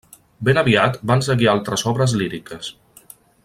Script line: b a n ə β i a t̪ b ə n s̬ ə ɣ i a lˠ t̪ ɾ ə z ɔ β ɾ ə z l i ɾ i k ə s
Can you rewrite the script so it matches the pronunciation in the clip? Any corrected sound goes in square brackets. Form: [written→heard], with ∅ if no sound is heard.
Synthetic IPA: b [a→e] n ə β i a t̪ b [ə→a] n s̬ ə ɣ i a lˠ t̪ ɾ ə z ɔ β ɾ ə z l i ɾ i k ə s